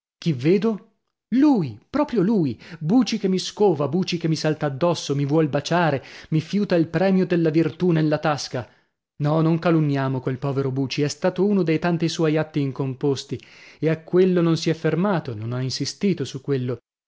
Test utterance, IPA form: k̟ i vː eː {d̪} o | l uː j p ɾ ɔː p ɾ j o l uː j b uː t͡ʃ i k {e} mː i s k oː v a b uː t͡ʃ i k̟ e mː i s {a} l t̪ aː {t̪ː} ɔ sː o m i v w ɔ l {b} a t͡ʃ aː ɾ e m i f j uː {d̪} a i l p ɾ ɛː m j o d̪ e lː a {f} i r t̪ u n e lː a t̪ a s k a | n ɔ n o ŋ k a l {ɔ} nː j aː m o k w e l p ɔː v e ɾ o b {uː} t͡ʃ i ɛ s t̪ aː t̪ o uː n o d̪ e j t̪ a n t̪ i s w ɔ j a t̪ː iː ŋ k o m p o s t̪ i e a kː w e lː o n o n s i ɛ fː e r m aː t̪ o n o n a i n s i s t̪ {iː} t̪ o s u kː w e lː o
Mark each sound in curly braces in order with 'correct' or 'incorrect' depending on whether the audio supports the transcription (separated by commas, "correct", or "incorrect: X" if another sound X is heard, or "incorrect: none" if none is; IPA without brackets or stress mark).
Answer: correct, correct, correct, incorrect: d̪ː, correct, incorrect: t̪, incorrect: v, incorrect: u, correct, correct